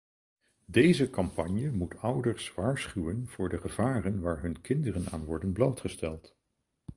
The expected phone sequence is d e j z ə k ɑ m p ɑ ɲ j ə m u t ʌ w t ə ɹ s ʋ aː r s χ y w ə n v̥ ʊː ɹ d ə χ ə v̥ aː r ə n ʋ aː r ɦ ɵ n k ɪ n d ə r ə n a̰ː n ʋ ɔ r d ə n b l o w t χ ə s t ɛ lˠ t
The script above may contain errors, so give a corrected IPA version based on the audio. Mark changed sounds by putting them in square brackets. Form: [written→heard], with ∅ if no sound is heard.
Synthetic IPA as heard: d e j z ə k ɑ m p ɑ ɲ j ə m u t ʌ w [t→d] ə ɹ s ʋ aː [r→ɹ] s χ y w ə n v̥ ʊː ɹ d ə χ ə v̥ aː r ə n ʋ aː [r→ɹ] ɦ ɵ n k ɪ n d ə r ə n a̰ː n ʋ ɔ [r→ɹ] d ə n b l o w t χ ə s t ɛ lˠ t